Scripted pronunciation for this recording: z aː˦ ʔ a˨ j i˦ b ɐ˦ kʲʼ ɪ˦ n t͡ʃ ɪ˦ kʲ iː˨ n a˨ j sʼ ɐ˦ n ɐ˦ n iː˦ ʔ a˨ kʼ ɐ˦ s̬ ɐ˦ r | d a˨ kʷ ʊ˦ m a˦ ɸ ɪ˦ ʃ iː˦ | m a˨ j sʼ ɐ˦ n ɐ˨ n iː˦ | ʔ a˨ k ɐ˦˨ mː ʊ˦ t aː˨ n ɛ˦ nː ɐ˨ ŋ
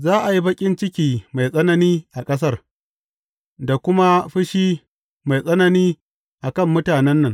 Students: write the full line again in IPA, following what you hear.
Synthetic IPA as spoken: z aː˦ ʔ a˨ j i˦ b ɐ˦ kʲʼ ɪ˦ n t͡ʃ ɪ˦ kʲ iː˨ m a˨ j sʼ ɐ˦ n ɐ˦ n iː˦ ʔ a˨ kʼ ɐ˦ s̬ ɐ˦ r | d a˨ kʷ ʊ˦ m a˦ ɸ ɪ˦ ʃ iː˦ | m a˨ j sʼ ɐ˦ n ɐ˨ n iː˦ | ʔ a˨ k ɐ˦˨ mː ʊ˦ t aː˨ n ɛ˦ nː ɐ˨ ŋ